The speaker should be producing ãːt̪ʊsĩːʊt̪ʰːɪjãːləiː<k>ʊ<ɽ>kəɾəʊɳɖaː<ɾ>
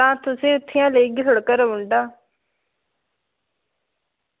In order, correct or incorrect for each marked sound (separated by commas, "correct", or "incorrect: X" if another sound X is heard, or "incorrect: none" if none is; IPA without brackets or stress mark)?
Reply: incorrect: ɡ, correct, incorrect: none